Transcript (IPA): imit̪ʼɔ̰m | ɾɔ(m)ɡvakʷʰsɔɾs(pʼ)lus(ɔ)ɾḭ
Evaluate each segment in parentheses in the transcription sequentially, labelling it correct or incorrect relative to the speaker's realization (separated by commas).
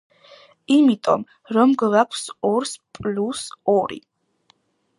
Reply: correct, correct, correct